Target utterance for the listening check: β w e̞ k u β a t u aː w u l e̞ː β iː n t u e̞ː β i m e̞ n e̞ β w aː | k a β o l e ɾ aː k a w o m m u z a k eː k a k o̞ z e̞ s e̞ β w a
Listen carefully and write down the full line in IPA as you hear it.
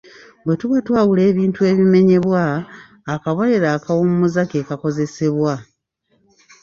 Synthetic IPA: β w e̞ t u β a t w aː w u l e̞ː β iː n t u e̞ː β i m e̞ ɲ e̞ β w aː | k a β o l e ɾ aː k a w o m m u z a k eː k a k o̞ z e̞ s e̞ β w a